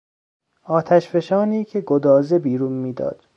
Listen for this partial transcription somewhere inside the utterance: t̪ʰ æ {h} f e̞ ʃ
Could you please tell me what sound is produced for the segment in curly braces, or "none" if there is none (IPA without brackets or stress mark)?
ʃ